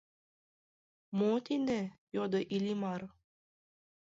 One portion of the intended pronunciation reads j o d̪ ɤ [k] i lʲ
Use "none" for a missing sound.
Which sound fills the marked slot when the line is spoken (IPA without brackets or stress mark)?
ʔ